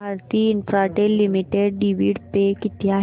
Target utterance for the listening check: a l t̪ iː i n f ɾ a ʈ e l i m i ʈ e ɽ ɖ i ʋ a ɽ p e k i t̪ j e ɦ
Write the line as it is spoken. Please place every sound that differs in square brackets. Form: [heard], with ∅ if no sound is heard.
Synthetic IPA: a [ɾ] t̪ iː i n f ɾ a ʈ e l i m i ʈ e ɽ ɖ i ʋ [i] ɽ p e k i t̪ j [a] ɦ